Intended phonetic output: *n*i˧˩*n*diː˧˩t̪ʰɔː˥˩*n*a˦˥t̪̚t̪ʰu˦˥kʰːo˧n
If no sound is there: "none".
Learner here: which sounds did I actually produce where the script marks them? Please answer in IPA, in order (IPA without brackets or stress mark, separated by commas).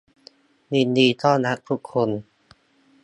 n, n, n